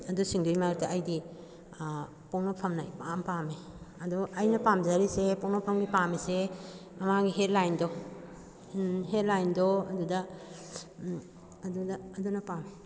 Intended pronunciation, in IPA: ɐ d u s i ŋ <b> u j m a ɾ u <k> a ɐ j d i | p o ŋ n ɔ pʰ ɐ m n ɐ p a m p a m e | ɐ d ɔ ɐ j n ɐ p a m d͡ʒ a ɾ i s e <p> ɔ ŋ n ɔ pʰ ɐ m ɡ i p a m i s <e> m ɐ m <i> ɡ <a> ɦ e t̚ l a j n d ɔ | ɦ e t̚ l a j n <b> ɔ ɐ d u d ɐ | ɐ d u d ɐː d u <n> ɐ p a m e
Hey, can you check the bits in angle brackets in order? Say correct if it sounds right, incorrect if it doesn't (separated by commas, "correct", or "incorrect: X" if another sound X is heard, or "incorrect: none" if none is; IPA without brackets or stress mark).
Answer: incorrect: d, incorrect: t, correct, correct, incorrect: a, incorrect: i, incorrect: d, correct